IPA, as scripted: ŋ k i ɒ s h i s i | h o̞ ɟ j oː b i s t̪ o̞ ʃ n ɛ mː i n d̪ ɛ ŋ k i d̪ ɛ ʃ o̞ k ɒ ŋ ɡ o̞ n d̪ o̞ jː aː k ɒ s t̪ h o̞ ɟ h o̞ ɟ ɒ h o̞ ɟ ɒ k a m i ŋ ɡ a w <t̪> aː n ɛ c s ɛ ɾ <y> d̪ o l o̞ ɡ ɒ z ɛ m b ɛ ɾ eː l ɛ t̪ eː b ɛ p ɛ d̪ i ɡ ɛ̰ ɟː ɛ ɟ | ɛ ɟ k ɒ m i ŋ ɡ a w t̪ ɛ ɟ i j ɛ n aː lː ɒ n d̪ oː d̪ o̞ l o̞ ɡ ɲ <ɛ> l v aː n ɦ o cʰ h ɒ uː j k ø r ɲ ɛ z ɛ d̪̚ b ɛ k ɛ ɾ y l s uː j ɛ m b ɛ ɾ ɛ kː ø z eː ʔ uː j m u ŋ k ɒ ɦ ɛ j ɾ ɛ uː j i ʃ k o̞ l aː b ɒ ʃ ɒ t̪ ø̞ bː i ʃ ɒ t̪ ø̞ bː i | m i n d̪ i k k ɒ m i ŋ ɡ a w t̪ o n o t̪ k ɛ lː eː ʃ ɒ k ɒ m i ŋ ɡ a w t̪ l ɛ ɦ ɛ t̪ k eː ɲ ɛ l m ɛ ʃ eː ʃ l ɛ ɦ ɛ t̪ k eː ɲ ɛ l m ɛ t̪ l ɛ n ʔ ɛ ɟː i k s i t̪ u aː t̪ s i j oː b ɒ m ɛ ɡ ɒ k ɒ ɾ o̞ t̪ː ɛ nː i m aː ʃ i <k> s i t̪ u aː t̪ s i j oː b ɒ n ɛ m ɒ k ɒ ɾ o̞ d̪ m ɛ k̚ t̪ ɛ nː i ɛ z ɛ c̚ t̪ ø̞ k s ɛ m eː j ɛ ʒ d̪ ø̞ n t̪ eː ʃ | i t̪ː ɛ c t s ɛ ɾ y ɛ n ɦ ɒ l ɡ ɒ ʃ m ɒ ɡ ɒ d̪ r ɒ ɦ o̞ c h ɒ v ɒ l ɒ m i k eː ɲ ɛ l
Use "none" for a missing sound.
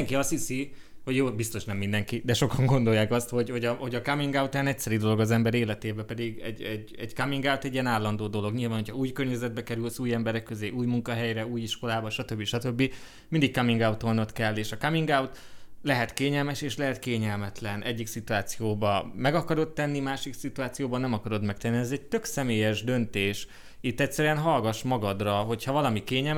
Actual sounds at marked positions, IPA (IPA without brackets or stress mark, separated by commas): t̪, i, i, k